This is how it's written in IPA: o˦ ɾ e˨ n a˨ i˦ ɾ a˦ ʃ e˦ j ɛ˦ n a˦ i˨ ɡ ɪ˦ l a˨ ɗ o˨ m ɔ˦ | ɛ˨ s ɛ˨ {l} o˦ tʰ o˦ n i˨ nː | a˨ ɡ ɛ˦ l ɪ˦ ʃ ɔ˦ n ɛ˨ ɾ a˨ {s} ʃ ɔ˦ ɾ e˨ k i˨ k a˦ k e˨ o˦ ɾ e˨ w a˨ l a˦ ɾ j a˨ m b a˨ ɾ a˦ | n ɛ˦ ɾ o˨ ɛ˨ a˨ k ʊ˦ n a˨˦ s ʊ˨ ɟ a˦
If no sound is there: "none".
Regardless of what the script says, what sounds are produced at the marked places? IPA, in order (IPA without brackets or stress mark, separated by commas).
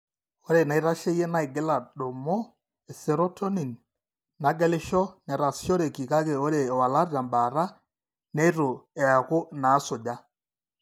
ɾ, s